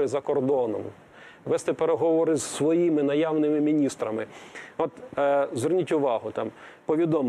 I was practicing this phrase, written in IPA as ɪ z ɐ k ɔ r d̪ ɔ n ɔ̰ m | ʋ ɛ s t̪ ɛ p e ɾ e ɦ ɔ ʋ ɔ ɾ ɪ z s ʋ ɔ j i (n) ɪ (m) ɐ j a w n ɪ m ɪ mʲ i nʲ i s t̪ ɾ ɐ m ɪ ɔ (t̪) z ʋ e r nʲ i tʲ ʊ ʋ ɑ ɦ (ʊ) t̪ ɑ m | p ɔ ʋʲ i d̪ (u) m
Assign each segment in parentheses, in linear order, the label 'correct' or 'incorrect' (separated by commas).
incorrect, incorrect, correct, correct, incorrect